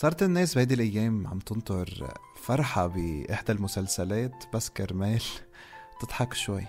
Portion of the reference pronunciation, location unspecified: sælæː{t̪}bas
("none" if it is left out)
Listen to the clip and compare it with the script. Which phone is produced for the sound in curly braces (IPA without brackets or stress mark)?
t̪